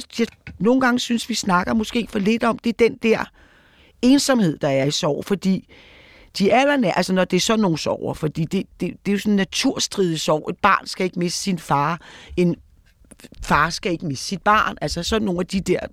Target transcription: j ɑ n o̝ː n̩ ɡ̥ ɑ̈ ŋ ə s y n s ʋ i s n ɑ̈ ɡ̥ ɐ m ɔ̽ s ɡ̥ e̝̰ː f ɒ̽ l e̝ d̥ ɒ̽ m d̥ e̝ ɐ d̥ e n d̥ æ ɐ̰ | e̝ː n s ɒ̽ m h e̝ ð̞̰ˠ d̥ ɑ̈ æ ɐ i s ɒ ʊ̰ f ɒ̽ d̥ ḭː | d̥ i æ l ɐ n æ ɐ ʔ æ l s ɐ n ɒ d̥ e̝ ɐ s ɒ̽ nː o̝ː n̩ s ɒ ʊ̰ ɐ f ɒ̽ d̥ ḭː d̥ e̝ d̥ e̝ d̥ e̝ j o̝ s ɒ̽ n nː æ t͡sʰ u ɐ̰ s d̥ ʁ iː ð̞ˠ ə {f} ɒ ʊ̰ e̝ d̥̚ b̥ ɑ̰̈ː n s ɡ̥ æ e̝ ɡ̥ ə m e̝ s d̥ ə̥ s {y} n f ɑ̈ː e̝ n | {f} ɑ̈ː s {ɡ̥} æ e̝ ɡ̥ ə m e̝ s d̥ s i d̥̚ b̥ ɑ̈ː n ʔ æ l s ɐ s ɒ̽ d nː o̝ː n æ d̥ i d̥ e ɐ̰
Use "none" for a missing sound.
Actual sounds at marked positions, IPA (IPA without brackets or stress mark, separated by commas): s, i, f, ɡ̥